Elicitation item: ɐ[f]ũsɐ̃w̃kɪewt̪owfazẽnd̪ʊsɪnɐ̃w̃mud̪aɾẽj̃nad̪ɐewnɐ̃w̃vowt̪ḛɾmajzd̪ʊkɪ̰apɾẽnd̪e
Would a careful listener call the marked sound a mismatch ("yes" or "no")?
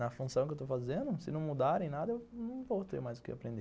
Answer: no